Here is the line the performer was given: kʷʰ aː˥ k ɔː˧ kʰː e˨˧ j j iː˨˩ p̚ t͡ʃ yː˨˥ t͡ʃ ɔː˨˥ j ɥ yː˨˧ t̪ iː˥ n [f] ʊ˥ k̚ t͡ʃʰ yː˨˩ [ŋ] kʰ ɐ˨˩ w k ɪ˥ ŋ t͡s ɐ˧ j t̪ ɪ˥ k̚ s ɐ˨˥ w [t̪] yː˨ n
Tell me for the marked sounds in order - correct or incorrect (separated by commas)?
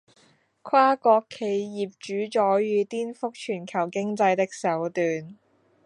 correct, incorrect, correct